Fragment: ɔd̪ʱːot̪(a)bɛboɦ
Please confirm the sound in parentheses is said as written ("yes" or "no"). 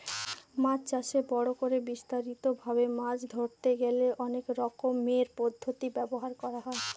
no